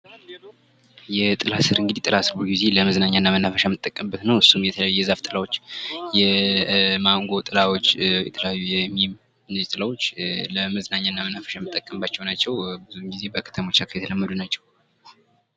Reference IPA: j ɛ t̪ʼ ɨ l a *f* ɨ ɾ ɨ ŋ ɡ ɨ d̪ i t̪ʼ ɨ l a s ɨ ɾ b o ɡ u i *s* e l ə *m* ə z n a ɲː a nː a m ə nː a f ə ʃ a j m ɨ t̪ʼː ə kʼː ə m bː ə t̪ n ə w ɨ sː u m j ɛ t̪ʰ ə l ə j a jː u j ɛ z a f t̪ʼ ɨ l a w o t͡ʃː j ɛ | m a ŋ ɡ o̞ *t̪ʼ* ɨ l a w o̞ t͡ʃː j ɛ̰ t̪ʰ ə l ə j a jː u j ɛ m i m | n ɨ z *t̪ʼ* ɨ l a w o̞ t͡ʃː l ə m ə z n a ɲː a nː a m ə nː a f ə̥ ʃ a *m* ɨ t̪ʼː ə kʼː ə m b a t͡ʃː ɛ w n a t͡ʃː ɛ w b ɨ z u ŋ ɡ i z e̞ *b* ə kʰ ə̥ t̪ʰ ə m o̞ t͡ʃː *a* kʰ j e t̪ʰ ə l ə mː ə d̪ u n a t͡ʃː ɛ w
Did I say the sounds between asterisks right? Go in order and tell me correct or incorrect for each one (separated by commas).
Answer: incorrect, incorrect, correct, correct, correct, correct, correct, correct